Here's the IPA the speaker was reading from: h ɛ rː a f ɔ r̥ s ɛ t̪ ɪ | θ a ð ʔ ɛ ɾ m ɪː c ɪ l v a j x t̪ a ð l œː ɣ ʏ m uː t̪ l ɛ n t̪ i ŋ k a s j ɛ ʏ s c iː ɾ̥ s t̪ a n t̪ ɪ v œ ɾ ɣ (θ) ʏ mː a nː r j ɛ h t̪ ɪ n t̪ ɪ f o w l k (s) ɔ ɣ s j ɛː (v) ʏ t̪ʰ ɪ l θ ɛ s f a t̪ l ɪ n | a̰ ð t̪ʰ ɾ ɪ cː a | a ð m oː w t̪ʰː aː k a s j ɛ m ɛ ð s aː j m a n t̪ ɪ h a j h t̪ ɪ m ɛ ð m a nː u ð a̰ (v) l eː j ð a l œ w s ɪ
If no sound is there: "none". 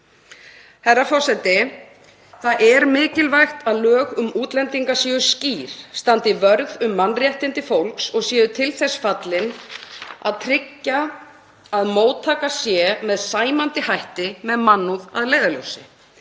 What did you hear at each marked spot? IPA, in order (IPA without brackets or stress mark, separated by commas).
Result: ð, s, ð, ð